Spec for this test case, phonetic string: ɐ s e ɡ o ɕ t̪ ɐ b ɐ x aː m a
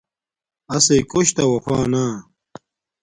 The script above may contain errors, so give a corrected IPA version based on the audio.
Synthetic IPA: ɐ s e k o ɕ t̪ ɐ w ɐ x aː n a